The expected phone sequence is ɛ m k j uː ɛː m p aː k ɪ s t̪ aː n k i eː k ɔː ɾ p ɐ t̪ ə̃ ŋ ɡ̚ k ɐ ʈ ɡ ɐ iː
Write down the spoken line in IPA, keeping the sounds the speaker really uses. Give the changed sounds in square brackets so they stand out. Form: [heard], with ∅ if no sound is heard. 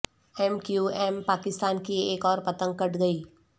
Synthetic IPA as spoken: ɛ m k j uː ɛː m p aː k ɪ s t̪ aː n k i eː k ɔː ɾ p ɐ t̪ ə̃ ŋ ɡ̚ k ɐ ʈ ɡ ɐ iː